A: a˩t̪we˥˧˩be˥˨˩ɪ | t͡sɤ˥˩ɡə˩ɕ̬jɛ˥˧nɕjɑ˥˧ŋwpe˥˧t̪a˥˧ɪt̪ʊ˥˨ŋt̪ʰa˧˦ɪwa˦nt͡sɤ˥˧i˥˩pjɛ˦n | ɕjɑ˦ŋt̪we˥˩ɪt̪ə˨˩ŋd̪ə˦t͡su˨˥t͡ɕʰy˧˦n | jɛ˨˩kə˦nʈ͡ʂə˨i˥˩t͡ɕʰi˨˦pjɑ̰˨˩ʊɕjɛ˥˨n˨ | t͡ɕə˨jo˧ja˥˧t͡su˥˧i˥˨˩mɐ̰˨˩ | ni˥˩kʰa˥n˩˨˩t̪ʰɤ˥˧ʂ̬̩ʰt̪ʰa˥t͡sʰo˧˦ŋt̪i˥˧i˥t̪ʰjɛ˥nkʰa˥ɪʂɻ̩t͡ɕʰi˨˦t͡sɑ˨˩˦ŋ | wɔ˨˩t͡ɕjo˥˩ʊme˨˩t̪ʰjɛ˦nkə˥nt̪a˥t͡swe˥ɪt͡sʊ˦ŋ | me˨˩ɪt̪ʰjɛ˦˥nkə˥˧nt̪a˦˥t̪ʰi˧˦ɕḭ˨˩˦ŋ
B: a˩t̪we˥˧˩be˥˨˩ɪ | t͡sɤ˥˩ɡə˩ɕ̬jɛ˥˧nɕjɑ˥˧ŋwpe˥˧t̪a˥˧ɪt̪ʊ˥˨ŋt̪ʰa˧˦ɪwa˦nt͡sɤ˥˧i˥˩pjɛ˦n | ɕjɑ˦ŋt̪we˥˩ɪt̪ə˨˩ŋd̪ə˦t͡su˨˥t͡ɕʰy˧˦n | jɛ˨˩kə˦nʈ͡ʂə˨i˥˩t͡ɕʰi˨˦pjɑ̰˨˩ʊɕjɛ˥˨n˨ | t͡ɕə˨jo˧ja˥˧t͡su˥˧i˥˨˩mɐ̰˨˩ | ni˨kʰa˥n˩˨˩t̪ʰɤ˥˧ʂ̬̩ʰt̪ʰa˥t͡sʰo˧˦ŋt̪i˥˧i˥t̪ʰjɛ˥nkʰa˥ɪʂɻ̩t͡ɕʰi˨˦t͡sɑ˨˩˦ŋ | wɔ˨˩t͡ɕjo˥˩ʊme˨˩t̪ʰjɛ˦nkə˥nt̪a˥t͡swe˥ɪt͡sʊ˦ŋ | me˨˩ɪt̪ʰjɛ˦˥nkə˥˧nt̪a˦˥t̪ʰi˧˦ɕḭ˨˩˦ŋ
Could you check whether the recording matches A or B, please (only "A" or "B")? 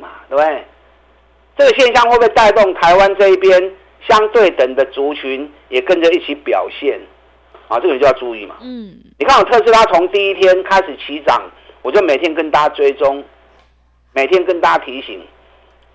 B